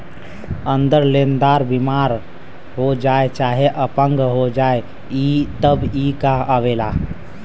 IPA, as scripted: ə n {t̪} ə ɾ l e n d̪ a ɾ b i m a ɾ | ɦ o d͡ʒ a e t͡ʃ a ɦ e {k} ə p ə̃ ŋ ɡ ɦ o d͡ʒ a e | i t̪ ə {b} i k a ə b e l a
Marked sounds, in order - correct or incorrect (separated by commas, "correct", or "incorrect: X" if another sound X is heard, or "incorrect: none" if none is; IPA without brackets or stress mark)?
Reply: incorrect: d̪, incorrect: ʔ, correct